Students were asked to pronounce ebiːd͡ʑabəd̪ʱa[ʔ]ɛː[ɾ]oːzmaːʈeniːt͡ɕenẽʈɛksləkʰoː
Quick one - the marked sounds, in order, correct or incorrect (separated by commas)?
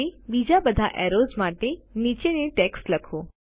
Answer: correct, correct